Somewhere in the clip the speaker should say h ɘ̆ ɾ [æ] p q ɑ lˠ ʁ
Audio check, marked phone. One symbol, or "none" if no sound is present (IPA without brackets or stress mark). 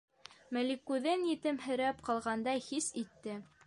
æ